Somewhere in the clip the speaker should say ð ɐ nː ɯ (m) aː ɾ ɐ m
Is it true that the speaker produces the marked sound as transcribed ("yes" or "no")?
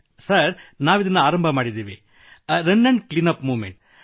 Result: no